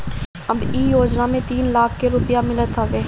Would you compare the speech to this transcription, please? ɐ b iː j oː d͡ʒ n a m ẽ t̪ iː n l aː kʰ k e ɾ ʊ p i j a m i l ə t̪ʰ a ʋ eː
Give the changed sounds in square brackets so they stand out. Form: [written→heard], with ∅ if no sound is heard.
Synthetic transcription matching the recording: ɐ b iː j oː d͡ʒ n a m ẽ t̪ iː n l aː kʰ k e ɾ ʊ p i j a m [i→ɪ] l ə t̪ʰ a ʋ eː